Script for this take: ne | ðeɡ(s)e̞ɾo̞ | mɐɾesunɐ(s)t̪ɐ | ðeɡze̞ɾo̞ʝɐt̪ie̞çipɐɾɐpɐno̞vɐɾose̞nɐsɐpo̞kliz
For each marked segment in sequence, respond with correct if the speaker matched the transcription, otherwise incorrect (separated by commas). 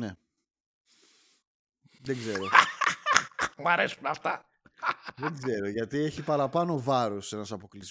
incorrect, incorrect